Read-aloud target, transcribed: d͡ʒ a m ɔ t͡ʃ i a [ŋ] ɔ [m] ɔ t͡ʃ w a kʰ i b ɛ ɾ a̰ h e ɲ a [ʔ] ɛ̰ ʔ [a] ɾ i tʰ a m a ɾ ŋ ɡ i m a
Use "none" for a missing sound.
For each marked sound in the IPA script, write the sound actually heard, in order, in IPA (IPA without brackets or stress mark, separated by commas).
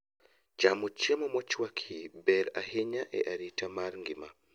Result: m, m, ʔ, a